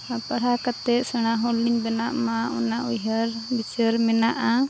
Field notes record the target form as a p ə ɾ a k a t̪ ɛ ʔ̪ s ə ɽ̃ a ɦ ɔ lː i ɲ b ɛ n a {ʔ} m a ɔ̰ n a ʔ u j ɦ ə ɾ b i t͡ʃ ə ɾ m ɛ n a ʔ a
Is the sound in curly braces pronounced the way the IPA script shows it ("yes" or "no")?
yes